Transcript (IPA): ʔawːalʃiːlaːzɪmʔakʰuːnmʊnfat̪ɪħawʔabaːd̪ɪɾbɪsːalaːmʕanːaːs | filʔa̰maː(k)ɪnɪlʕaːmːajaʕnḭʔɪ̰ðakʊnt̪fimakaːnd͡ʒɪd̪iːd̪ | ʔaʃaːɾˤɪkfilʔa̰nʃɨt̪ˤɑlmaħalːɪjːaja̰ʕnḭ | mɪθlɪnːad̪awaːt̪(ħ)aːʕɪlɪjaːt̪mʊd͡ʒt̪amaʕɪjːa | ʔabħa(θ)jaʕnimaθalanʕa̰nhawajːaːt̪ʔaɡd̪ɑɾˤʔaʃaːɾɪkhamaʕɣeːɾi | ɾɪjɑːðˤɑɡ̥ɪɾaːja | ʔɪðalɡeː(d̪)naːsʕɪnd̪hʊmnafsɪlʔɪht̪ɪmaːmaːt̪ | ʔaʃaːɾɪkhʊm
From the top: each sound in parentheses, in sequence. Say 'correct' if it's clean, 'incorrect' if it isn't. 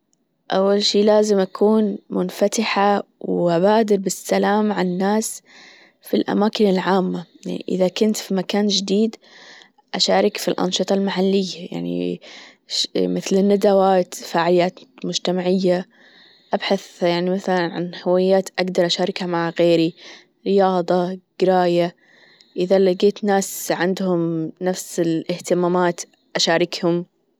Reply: correct, incorrect, correct, incorrect

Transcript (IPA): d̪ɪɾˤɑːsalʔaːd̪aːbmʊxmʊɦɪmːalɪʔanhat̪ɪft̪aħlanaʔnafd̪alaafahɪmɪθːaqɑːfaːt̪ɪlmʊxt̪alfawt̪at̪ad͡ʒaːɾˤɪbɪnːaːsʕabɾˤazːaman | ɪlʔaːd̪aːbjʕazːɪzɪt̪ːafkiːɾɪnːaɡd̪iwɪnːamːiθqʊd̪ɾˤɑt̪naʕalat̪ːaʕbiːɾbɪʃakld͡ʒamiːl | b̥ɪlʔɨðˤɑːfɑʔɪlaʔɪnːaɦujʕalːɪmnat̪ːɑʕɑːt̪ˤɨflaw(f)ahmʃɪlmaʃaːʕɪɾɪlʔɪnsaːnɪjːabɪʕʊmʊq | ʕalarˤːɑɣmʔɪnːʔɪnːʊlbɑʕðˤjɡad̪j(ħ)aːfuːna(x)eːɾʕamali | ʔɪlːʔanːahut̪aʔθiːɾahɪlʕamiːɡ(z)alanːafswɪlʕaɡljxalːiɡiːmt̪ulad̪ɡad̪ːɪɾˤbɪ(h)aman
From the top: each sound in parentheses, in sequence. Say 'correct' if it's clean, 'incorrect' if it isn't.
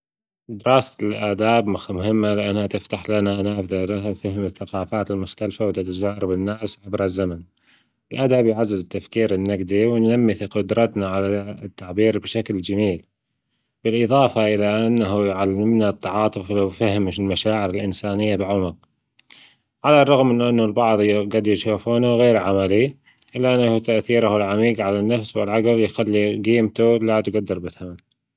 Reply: correct, incorrect, incorrect, incorrect, incorrect

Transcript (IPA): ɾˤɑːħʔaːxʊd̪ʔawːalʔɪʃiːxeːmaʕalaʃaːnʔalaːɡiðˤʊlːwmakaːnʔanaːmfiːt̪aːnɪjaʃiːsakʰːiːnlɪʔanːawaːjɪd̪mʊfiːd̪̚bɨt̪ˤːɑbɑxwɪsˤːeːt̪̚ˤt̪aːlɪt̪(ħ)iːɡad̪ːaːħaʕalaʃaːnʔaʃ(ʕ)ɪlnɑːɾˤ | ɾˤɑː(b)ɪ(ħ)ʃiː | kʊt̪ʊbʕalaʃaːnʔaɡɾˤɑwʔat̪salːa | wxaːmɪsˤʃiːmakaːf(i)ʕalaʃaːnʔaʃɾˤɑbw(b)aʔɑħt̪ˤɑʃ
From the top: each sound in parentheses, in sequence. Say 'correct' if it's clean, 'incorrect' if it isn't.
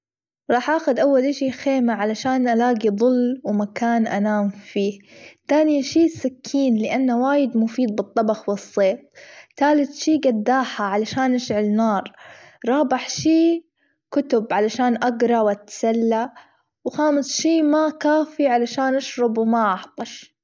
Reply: incorrect, correct, correct, correct, correct, incorrect

